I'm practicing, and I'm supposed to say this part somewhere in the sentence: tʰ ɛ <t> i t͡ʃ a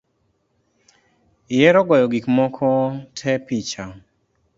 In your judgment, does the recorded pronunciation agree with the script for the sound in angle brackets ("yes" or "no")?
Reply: no